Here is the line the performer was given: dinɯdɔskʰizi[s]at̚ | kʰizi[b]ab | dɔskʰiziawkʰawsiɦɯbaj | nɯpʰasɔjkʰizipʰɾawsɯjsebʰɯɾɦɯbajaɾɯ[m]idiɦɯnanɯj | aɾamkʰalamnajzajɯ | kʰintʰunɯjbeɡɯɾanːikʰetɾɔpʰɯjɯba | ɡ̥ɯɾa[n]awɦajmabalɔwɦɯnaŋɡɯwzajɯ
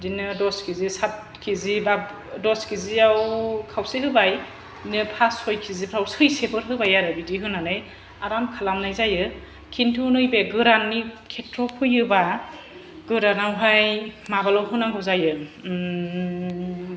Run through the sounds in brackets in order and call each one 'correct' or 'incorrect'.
correct, correct, incorrect: b, correct

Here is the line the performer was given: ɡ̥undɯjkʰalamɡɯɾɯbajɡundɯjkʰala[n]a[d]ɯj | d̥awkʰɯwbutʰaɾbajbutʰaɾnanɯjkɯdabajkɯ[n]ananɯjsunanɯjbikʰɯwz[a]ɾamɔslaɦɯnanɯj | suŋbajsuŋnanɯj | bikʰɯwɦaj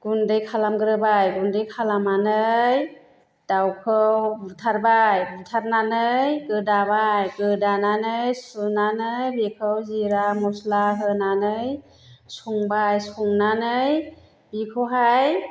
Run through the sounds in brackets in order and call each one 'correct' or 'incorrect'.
incorrect: m, incorrect: n, incorrect: d, incorrect: i

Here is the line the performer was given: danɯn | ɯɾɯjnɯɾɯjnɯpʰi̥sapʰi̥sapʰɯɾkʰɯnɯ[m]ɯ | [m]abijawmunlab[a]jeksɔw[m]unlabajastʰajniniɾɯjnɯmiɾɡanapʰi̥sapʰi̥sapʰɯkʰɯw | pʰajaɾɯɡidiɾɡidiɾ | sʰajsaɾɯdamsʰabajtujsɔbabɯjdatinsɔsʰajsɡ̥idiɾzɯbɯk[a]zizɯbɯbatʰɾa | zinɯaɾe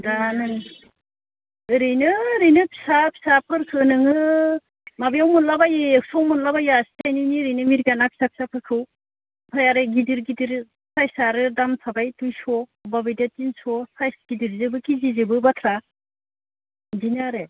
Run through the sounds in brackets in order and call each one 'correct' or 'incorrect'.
incorrect: ŋ, correct, correct, correct, incorrect: i

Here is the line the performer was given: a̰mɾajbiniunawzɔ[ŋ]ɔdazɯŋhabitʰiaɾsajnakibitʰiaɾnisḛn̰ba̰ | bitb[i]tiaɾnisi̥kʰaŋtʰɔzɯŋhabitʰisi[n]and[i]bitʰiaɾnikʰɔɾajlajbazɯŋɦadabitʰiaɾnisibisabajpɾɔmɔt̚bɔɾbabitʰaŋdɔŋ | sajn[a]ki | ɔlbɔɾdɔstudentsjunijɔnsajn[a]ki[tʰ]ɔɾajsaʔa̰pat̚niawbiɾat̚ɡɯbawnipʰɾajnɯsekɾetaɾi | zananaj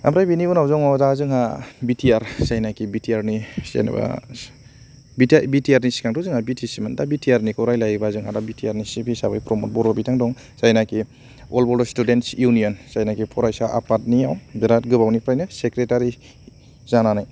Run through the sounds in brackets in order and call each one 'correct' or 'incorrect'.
correct, correct, incorrect: m, incorrect: a, correct, correct, incorrect: pʰ

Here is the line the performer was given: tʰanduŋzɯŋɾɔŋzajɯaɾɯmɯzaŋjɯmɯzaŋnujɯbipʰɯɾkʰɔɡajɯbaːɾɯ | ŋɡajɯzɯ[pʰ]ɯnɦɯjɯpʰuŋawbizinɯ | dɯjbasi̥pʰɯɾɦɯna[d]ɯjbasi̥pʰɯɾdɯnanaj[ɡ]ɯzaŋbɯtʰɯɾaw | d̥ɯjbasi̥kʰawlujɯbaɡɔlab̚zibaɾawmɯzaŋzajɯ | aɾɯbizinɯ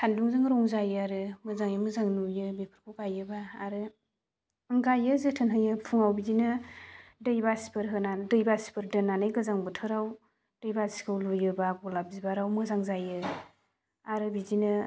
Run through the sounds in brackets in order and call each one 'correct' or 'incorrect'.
incorrect: tʰ, correct, correct

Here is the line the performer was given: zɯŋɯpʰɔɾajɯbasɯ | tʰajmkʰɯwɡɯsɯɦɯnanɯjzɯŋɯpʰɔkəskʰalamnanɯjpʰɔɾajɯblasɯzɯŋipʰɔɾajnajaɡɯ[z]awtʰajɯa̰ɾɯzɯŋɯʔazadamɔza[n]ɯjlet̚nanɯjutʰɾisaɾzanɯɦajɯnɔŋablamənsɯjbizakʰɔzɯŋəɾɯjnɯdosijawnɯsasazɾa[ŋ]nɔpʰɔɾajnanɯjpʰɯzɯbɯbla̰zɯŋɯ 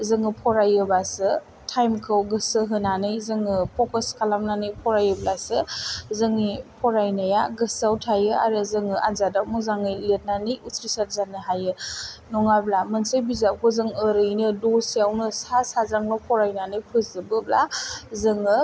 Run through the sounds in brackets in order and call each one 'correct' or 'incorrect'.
incorrect: s, incorrect: ŋ, correct

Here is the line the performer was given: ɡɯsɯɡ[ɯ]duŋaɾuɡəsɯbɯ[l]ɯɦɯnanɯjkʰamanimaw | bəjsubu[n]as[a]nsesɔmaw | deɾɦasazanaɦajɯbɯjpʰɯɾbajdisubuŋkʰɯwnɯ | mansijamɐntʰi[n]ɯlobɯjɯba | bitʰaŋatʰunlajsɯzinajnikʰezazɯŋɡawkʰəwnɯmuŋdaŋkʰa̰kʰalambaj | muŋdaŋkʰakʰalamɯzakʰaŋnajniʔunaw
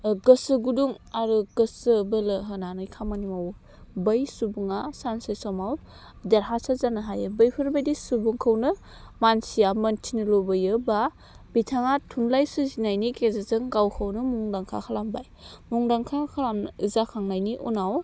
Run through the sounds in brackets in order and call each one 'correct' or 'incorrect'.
incorrect: u, correct, incorrect: ŋ, correct, correct

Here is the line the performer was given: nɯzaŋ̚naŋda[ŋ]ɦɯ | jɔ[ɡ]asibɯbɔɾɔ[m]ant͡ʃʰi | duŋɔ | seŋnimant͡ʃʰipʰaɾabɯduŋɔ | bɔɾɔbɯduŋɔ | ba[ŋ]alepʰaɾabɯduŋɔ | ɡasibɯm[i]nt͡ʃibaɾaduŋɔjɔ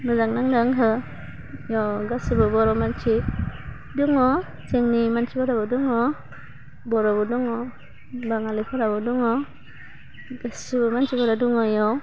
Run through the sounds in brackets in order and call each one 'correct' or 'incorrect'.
correct, correct, correct, correct, incorrect: a

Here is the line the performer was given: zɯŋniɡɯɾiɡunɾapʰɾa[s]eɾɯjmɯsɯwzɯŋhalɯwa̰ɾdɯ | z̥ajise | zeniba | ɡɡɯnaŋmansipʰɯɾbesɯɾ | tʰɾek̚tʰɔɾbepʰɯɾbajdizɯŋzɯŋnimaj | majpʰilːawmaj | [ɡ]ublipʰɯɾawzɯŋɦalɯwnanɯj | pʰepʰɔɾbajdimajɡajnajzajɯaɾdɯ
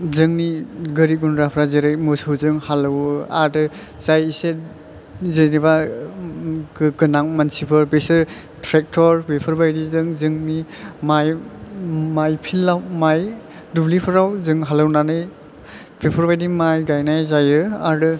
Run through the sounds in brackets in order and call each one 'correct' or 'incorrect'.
incorrect: z, incorrect: d

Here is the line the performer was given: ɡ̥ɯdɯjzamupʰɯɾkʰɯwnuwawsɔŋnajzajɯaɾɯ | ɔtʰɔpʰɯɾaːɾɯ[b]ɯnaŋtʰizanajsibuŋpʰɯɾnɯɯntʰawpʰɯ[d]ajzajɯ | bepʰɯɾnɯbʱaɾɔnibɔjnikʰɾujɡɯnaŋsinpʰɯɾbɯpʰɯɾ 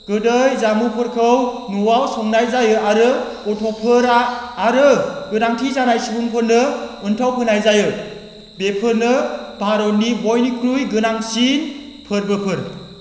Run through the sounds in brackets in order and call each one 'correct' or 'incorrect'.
incorrect: ɡ, incorrect: n

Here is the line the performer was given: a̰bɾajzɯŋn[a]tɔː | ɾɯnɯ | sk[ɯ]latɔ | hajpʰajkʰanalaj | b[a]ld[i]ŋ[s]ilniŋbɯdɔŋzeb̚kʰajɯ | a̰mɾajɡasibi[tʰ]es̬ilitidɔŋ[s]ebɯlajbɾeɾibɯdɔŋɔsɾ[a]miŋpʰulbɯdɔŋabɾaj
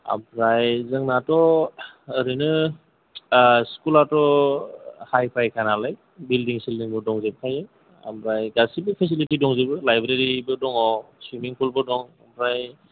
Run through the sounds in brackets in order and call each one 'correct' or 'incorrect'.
correct, incorrect: u, incorrect: i, correct, correct, incorrect: pʰ, incorrect: z, incorrect: i

